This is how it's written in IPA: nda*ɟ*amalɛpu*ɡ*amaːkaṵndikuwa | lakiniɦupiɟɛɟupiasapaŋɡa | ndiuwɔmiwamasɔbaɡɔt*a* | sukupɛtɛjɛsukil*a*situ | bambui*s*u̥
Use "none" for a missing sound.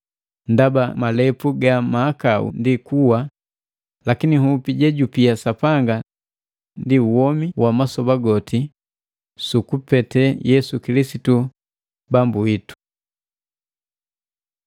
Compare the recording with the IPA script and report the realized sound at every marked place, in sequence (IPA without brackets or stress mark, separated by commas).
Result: b, ɡ, i, i, t